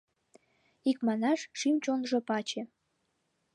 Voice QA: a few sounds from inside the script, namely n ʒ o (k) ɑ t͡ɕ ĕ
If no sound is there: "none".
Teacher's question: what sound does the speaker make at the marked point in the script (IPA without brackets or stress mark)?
p